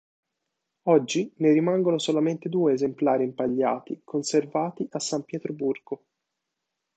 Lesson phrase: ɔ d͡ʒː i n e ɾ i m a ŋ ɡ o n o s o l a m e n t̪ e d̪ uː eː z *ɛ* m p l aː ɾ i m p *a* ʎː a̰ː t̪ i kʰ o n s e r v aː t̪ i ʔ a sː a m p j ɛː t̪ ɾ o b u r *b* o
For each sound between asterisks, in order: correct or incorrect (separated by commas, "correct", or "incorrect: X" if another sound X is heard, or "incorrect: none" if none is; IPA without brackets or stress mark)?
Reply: incorrect: e, correct, incorrect: ɡ